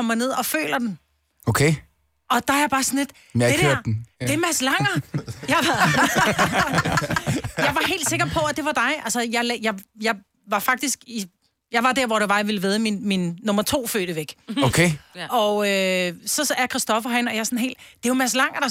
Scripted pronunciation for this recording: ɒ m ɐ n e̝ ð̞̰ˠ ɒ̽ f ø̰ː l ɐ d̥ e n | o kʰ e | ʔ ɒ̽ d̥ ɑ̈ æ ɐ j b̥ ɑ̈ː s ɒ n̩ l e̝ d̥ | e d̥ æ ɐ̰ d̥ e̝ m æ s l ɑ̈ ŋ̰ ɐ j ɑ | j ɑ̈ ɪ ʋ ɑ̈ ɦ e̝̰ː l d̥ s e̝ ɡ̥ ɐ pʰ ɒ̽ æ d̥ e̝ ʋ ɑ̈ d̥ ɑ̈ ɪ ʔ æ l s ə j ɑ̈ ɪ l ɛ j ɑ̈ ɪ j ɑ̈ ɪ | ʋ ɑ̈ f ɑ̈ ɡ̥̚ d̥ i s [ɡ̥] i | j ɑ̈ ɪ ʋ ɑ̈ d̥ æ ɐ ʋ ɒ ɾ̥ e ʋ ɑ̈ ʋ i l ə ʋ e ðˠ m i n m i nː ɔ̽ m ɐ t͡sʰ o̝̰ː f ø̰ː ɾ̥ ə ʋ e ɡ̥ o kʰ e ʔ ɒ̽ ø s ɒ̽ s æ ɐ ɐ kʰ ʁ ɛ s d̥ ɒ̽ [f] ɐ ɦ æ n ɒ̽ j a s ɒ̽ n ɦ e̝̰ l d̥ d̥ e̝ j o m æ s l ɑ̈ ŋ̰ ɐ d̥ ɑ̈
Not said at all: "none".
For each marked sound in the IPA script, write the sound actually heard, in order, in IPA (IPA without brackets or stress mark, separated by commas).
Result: ɡ̥, f